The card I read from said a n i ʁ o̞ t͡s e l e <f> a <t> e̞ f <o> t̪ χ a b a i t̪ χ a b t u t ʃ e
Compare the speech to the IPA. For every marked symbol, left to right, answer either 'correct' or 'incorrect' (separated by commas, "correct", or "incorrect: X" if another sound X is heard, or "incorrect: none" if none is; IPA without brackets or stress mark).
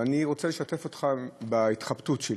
incorrect: ʃ, correct, correct